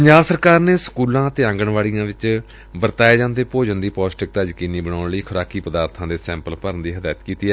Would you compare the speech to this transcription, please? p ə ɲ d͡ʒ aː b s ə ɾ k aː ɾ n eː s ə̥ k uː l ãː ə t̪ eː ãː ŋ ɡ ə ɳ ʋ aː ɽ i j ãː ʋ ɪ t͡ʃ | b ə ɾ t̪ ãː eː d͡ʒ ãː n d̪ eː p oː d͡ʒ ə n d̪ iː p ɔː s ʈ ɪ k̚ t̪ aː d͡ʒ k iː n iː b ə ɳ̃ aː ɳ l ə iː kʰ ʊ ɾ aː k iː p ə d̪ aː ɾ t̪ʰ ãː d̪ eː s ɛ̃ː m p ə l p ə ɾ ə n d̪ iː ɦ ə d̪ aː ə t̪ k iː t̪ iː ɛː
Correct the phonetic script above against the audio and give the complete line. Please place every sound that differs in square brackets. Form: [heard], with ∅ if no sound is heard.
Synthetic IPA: p ə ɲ d͡ʒ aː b s ə ɾ k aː ɾ n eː s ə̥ k uː l ãː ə t̪ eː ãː ŋ ɡ ə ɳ ʋ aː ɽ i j ãː ʋ ɪ t͡ʃ | b ə ɾ t̪ [aː] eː d͡ʒ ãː n d̪ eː p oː d͡ʒ ə n d̪ iː p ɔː s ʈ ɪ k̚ t̪ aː d͡ʒ k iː n iː b ə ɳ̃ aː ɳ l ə iː kʰ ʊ ɾ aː k iː p ə d̪ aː ɾ t̪ʰ ãː d̪ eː s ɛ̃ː m p ə l p ə ɾ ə n d̪ iː ɦ ə d̪ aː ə t̪ k iː t̪ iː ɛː